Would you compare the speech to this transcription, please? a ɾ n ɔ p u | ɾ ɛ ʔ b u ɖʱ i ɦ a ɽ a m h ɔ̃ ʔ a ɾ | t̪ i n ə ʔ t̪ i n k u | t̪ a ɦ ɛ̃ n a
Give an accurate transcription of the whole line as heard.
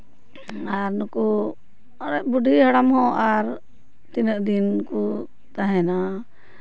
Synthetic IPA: a ɾ n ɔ k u | ɾ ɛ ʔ b u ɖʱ i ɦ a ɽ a m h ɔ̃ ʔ a ɾ | t̪ i n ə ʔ d̪ i n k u | t̪ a ɦ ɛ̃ n a